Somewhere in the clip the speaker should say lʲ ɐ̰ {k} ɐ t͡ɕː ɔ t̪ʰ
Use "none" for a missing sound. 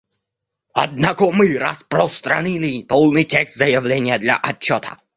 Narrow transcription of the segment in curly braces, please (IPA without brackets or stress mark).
ʔ